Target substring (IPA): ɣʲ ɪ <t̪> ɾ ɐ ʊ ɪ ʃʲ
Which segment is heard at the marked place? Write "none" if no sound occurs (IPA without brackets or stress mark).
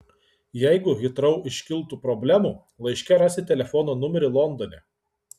t̪